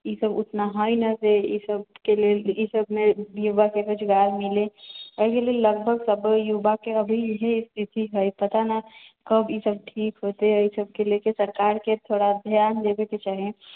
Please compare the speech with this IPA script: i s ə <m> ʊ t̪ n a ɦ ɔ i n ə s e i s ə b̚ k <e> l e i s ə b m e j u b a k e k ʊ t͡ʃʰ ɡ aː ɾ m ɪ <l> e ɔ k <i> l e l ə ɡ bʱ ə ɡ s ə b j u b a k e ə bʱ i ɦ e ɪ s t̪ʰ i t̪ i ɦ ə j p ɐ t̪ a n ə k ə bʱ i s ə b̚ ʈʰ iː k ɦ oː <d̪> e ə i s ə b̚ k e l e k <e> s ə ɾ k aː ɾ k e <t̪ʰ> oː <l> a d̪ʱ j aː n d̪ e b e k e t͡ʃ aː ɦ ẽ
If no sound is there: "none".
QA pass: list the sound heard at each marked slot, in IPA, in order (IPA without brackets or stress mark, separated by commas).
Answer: b, e, l, e, t̪, e, t̪ʰ, ɽ